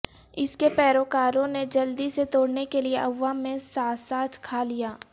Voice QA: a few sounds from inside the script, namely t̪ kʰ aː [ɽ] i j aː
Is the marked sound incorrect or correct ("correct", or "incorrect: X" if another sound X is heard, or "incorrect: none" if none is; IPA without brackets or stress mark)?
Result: incorrect: l